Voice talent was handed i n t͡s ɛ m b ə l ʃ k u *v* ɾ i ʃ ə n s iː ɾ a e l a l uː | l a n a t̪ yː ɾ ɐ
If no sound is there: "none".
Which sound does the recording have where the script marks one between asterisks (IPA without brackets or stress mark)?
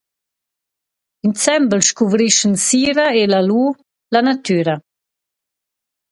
v